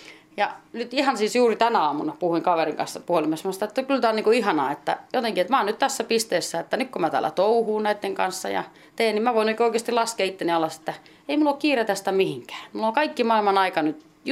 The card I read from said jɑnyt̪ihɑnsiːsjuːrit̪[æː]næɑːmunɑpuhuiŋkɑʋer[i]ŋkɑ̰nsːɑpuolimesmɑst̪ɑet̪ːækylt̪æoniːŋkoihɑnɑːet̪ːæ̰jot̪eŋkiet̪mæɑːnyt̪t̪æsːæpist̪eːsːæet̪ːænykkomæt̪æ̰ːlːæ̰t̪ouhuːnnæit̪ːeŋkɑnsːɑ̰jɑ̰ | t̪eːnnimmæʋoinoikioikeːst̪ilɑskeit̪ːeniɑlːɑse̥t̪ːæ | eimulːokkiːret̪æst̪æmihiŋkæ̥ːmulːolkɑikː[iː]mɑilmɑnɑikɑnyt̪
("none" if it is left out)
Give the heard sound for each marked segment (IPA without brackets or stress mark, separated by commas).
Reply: æ, i, i